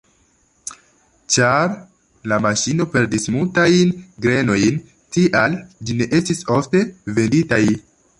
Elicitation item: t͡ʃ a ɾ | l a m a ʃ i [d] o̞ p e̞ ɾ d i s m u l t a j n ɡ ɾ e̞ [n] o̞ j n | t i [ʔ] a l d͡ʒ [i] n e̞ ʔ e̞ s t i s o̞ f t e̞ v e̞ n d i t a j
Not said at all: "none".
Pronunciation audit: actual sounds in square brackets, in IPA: n, n, ʔ, i

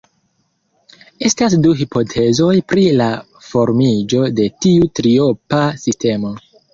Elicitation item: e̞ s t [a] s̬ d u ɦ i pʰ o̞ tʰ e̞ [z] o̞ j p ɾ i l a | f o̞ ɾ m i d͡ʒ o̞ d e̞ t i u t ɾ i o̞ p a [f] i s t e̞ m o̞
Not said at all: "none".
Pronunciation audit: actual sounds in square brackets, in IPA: a, z, s

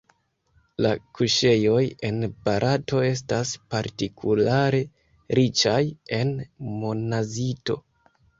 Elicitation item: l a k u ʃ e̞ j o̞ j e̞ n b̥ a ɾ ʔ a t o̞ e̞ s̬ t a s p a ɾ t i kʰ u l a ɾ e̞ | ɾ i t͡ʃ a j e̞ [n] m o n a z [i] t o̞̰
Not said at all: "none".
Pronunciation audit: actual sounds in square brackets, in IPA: n, i

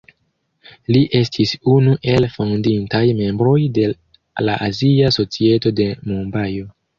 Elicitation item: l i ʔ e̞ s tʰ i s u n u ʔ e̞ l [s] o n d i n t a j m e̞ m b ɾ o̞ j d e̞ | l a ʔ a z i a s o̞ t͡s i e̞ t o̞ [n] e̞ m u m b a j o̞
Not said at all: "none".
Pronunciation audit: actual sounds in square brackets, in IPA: f, d

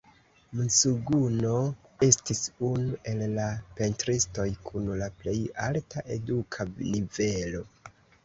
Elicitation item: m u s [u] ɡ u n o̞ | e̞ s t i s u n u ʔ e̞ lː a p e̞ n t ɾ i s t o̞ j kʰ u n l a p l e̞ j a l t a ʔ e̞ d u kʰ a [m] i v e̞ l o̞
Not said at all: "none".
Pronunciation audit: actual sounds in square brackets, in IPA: u, n

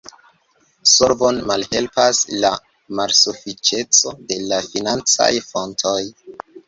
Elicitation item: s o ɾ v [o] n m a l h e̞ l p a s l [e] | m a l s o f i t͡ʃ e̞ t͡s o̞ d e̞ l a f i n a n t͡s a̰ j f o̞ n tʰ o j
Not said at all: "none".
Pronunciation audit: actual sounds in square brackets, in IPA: o, a

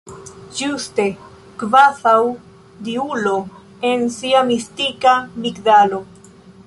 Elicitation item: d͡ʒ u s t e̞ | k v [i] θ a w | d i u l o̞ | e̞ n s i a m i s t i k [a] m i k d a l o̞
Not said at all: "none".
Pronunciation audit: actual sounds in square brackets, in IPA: a, a

